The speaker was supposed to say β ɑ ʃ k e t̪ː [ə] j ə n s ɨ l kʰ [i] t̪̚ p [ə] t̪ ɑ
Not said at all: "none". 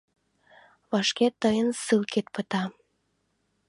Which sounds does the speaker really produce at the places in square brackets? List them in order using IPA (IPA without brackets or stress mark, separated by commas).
ə, e, ə